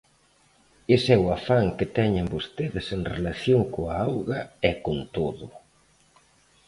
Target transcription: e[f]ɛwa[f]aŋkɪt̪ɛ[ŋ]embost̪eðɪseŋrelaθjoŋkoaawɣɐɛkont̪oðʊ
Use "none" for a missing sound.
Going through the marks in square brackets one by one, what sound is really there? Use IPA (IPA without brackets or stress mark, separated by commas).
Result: s, f, ɲ